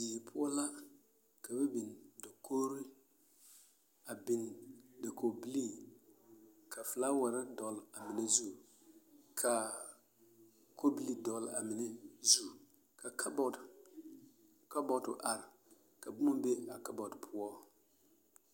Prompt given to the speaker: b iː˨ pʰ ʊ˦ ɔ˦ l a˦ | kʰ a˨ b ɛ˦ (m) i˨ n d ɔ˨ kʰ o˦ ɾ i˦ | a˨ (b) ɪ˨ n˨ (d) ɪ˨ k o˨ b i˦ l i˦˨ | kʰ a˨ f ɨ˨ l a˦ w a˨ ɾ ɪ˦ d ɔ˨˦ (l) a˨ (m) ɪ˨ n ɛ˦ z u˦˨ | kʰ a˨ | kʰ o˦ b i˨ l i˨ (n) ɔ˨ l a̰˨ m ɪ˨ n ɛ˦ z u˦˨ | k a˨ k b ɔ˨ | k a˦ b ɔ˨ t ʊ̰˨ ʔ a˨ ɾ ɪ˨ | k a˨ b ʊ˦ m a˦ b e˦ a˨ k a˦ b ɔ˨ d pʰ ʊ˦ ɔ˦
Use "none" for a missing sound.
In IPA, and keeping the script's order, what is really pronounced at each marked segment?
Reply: b, b, d, l, m, d

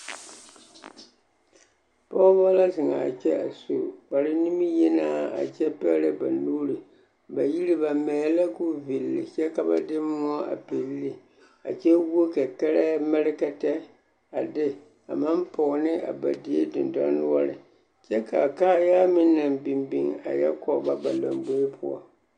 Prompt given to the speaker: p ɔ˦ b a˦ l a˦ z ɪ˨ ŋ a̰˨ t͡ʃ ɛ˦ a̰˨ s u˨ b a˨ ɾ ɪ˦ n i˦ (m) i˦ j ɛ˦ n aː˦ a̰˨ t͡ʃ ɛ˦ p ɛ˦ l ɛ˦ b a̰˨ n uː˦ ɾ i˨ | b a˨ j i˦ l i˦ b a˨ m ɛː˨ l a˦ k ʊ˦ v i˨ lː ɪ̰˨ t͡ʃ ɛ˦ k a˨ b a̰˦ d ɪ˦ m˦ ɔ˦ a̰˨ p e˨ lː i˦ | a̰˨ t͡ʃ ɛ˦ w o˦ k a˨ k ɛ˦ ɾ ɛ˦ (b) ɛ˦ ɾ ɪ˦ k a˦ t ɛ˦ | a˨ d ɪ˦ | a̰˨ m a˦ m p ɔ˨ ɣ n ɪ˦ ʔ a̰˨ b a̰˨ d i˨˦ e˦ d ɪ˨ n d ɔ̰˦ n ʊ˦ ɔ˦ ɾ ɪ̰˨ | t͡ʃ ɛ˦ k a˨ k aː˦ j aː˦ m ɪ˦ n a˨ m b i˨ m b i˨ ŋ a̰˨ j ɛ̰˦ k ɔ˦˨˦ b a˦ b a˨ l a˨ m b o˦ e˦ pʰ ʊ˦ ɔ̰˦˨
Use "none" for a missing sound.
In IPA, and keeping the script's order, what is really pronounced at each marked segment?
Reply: m, m

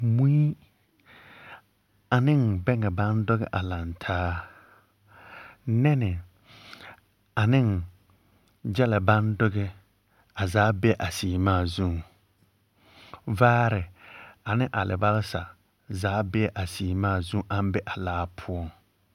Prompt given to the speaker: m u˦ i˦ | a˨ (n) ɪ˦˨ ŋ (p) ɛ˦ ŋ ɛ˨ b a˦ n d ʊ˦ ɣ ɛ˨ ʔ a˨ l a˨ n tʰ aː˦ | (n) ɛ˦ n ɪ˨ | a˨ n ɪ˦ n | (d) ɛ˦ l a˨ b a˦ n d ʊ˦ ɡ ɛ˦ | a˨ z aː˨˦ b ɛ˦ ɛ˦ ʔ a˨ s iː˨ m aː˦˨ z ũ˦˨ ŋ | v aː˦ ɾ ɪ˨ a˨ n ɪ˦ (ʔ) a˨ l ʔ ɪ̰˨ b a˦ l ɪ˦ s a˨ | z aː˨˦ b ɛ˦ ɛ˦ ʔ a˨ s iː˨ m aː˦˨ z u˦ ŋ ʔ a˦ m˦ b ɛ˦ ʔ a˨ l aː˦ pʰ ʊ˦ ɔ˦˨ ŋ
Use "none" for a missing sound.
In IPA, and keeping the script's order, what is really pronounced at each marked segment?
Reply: n, b, n, d͡ʒ, ʔ

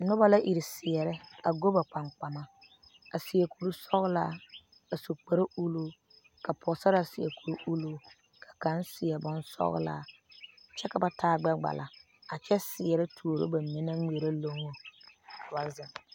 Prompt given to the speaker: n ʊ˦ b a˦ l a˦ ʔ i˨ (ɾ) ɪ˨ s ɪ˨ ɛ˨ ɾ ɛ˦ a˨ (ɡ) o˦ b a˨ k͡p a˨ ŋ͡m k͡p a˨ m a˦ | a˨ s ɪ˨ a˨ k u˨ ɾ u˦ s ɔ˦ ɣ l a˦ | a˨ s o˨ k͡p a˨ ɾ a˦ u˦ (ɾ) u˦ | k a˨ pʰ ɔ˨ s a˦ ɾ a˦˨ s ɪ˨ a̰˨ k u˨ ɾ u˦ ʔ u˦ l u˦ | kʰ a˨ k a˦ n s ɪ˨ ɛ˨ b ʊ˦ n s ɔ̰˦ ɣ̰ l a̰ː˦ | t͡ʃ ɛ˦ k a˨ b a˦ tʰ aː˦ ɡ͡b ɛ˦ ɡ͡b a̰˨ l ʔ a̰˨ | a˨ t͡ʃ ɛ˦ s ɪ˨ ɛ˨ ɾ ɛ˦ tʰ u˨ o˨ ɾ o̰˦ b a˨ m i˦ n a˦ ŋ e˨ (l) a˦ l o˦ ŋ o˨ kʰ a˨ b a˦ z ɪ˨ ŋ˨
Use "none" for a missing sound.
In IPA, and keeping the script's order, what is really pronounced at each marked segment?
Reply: ɾ, ɡ, l, ɾ

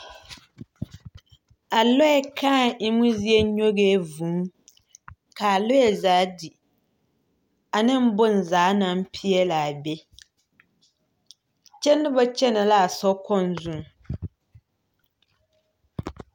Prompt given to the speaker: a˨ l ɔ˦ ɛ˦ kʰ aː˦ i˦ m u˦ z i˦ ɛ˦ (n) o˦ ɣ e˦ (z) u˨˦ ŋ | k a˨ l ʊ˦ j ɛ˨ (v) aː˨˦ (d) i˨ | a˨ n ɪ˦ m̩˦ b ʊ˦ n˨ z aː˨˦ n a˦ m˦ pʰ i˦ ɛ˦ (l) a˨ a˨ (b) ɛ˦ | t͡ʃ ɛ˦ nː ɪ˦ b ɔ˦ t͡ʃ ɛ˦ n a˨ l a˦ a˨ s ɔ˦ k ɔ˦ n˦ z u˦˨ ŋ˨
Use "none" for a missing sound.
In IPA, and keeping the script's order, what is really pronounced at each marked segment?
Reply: ɲ, v, z, d, l, b

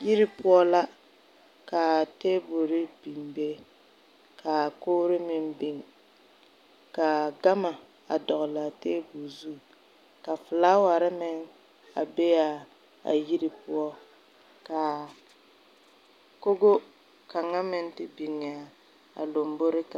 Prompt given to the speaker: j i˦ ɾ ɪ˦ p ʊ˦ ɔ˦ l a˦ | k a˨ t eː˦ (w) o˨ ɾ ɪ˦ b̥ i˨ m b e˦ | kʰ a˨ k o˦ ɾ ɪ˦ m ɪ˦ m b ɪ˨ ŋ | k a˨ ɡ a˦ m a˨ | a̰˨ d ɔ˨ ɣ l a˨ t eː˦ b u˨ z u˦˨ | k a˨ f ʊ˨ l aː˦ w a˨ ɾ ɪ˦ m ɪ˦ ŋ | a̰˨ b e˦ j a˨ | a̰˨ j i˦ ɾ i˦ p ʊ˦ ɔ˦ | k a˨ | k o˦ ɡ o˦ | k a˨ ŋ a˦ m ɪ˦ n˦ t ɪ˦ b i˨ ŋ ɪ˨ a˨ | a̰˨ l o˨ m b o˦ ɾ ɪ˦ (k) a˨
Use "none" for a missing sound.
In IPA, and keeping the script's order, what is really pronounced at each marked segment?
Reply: b, k

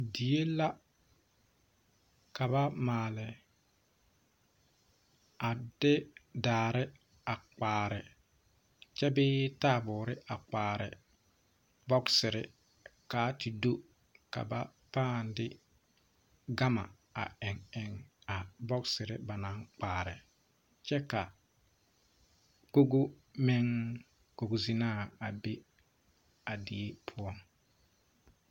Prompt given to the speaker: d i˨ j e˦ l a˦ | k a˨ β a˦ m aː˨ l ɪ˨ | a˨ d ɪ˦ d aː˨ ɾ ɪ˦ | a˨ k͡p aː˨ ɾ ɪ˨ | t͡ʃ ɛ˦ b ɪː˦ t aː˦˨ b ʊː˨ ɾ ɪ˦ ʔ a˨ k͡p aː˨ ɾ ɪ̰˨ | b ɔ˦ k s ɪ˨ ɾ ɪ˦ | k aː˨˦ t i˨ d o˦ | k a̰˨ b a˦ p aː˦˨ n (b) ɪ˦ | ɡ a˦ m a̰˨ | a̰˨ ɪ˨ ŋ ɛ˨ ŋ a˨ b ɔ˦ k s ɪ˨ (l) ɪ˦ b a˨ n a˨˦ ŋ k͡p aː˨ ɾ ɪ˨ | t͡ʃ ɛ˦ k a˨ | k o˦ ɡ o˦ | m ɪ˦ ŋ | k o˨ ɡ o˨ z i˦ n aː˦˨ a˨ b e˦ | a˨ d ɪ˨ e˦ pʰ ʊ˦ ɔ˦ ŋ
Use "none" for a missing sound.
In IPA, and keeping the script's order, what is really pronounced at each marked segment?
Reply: d, ɾ

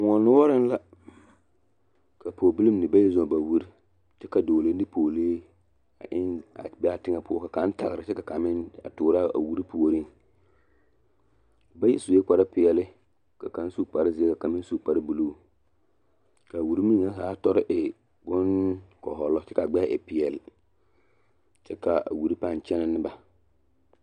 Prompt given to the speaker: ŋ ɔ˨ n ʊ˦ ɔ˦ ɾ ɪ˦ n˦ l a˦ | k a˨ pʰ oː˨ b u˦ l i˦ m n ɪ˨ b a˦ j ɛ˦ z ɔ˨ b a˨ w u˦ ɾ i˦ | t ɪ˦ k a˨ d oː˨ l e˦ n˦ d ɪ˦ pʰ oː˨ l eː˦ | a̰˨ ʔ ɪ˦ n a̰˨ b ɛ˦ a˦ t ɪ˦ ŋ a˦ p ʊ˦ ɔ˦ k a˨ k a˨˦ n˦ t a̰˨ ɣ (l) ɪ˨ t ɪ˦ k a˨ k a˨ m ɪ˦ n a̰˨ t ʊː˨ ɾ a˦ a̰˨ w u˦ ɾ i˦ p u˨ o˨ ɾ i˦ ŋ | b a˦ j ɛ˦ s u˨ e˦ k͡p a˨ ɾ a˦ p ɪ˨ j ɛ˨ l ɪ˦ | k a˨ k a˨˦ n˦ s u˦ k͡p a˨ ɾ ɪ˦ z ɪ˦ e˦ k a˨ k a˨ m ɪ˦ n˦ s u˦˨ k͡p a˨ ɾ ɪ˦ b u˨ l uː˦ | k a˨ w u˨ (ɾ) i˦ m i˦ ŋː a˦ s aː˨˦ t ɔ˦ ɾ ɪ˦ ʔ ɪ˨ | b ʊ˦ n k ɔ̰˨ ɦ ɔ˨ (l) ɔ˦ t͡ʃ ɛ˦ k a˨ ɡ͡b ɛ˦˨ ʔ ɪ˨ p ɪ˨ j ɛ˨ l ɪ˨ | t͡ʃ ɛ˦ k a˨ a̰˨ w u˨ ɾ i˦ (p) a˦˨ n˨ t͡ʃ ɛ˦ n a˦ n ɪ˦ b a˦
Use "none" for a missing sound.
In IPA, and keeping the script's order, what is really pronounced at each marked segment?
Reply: ɾ, ɾ, l, p

